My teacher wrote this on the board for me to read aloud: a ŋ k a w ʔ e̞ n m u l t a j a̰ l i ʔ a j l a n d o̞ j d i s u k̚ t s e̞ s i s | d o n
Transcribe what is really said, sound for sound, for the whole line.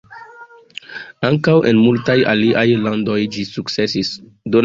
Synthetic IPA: a ŋ k a w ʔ e̞ n m u l t a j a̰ l i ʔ a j l a n d o̞ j d͡ʒ i s u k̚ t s e̞ s i s | d o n